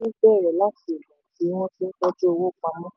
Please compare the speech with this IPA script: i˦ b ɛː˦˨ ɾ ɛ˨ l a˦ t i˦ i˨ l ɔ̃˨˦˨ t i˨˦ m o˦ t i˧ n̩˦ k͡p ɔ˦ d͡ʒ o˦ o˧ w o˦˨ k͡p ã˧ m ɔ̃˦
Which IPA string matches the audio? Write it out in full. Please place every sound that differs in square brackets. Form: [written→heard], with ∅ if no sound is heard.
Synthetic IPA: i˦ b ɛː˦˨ ɾ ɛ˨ l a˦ t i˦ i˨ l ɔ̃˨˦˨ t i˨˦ m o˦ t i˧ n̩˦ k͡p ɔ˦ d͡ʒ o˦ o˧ w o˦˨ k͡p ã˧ m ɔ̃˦